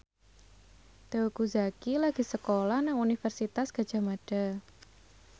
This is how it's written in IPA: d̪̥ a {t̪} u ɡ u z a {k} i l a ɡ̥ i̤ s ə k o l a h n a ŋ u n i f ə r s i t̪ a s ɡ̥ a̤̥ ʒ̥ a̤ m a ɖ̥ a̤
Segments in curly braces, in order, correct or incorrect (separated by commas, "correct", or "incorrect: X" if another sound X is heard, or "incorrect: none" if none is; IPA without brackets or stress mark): incorrect: none, correct